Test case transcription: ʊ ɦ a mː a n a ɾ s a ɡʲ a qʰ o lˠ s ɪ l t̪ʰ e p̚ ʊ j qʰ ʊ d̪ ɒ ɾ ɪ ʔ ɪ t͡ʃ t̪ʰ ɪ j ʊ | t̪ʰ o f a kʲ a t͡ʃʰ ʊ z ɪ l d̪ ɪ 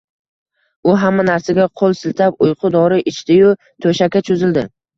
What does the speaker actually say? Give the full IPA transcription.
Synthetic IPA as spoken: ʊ ɦ a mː a n a ɾ s a ɡʲ a qʰ o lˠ s ɪ l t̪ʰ a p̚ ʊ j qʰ ʊ d̪ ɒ ɾ ɪ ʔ ɪ t͡ʃ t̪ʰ ɪ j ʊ | t̪ʰ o ʃ a kʲ a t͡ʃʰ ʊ z ɪ l d̪ ɪ